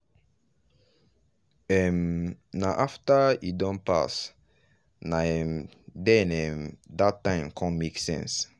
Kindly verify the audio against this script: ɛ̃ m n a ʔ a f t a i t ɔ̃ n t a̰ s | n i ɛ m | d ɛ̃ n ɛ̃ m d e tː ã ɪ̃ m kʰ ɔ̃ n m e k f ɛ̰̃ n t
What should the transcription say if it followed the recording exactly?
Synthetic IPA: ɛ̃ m n a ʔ a f t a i d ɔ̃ n p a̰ s | n a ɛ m | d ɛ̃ n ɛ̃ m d a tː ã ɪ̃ m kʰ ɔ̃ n m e k s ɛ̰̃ n s